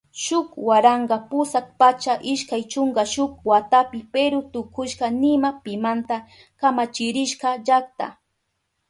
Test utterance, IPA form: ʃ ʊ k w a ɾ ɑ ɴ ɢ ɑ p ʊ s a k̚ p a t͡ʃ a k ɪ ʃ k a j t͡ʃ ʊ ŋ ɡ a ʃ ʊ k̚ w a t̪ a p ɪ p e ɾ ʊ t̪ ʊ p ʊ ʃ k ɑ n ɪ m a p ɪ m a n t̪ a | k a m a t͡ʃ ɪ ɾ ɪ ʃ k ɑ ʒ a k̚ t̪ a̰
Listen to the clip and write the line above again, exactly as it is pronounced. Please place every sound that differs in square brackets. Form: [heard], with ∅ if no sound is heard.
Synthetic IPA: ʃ ʊ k w a ɾ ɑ ɴ ɢ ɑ p ʊ s a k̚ p a t͡ʃ a [ʔ] ɪ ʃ k a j t͡ʃ ʊ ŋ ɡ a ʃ ʊ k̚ w a t̪ a p ɪ p e ɾ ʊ t̪ ʊ [k] ʊ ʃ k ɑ n ɪ m a p ɪ m a n t̪ a | k a m a t͡ʃ ɪ ɾ ɪ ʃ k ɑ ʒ a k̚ t̪ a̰